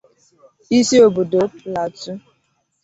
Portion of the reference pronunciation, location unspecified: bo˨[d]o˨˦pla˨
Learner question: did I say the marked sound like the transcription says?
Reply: yes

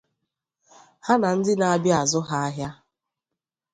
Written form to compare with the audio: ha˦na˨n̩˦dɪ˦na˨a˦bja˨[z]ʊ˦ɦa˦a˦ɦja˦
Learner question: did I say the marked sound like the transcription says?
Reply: yes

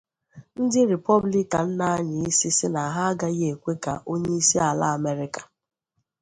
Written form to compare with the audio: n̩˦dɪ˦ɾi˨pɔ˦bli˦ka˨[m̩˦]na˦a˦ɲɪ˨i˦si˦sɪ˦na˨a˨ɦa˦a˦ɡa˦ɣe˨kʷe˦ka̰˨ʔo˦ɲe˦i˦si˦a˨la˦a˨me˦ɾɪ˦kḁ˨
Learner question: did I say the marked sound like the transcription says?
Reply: no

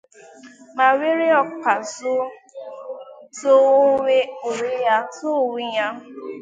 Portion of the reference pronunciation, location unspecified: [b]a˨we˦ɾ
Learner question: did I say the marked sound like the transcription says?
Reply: no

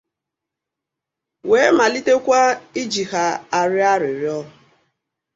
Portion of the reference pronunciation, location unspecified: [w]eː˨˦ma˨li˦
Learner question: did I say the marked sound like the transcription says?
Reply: yes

